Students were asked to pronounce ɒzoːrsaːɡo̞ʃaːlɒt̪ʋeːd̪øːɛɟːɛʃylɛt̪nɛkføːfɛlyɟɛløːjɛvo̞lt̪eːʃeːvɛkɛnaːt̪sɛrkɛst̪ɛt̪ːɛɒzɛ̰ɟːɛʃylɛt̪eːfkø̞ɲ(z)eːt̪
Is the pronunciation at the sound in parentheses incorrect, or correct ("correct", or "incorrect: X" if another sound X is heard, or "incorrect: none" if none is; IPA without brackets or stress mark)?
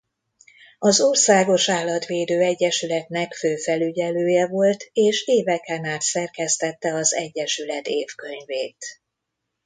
incorrect: v